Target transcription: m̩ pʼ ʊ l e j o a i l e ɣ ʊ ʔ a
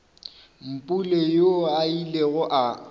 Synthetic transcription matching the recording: m̩ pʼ u l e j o a i l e ɣ ʊ ʔ a